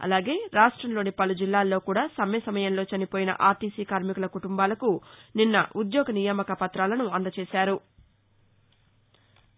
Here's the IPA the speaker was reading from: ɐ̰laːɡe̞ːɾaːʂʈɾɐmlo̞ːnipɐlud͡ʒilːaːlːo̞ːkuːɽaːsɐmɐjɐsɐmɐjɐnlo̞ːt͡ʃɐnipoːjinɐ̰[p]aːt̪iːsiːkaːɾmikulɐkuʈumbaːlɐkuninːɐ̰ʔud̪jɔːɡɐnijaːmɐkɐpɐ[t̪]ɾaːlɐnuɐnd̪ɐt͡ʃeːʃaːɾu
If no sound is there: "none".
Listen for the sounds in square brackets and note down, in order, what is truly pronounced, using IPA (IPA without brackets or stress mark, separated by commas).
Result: ʔ, t̪